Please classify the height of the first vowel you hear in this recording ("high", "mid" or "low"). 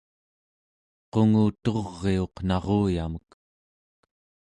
mid